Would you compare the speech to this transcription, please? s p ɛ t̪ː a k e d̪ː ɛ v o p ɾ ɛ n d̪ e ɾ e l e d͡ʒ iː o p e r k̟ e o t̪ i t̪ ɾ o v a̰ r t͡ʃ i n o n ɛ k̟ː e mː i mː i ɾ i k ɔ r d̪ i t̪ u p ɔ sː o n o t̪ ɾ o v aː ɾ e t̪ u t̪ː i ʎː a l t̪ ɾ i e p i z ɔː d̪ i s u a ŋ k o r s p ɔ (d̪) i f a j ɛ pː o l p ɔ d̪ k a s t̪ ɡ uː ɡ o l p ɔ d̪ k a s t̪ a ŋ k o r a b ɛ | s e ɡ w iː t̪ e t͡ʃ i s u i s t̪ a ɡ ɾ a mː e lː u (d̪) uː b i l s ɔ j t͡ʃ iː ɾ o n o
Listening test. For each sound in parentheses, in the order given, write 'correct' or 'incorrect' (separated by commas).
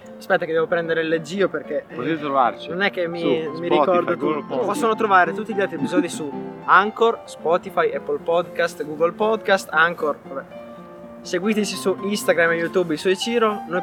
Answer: incorrect, incorrect